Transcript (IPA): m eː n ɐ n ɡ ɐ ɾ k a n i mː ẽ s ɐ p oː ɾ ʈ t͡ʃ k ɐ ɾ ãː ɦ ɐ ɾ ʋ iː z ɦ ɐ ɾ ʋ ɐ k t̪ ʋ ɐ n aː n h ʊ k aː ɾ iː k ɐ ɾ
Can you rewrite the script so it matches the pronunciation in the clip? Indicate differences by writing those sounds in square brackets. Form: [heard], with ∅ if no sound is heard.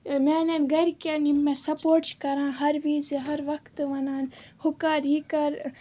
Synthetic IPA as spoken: m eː n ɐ n ɡ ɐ ɾ k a n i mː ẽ s ɐ p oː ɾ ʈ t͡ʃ k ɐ ɾ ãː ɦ ɐ ɾ ʋ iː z ɦ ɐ ɾ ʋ ɐ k t̪ ʋ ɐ n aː n h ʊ k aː ɾ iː k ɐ ɾ